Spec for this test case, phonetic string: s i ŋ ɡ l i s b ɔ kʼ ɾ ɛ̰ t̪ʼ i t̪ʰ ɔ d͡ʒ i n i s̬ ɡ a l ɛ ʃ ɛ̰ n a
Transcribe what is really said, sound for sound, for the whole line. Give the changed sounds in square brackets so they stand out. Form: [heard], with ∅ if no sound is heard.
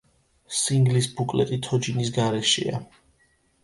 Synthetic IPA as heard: s i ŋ ɡ l i s b [u] kʼ [l] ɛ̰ t̪ʼ i t̪ʰ ɔ d͡ʒ i n i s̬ ɡ a [ɾ] ɛ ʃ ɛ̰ [∅] a